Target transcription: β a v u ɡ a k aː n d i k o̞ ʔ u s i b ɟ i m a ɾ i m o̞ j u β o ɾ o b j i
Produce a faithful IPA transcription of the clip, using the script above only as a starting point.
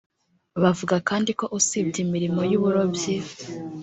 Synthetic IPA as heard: β a v u ɡ a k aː n d i k o̞ ʔ u s i b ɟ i m i ɾ i m o̞ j u β u ɾ o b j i